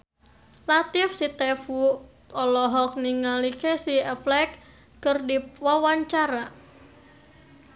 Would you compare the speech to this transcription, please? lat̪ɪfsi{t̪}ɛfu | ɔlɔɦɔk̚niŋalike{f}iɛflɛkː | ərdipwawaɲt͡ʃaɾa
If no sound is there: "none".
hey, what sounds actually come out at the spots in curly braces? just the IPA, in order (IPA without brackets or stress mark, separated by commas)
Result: t̪, s